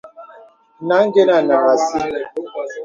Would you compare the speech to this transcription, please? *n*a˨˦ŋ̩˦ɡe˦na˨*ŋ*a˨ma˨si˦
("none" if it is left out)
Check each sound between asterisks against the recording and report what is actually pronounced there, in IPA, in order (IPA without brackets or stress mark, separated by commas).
n, n